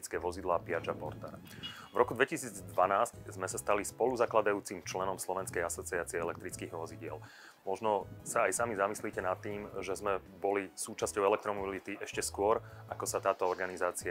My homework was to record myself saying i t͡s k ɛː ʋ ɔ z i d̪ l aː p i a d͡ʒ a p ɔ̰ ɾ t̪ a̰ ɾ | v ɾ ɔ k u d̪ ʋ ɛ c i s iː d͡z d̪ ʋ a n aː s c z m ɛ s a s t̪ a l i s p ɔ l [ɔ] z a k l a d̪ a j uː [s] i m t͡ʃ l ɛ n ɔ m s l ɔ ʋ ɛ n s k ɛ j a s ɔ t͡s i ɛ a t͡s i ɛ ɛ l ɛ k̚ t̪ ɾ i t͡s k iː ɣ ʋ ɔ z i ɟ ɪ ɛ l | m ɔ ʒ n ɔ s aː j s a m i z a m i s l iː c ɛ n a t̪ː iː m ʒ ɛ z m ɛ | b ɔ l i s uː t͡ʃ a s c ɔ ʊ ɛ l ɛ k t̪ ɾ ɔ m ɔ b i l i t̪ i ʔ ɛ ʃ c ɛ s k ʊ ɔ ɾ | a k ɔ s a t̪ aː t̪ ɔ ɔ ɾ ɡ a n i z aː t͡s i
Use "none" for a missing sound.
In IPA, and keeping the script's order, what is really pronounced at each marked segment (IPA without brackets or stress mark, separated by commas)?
u, t͡s